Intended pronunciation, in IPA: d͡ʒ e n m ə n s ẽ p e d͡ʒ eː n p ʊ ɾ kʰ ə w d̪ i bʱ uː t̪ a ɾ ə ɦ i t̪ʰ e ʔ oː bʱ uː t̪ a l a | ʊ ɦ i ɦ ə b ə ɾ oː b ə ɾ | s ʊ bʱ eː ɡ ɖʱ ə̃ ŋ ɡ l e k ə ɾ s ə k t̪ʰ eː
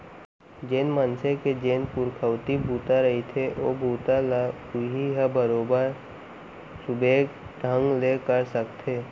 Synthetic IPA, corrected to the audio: d͡ʒ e n m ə n s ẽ k e d͡ʒ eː n p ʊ ɾ kʰ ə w t̪ i bʱ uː t̪ a ɾ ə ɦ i t̪ʰ e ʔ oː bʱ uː t̪ a l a | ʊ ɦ i ɦ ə b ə ɾ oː b ə ɾ | s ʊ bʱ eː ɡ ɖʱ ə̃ ŋ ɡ l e k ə ɾ s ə k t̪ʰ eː